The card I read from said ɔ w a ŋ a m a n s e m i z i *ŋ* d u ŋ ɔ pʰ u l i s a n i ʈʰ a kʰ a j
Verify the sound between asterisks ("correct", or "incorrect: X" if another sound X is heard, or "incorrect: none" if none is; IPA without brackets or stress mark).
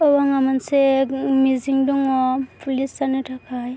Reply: correct